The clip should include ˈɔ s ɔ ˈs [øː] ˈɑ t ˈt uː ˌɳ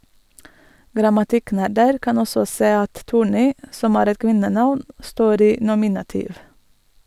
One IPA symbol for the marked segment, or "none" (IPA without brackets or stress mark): eː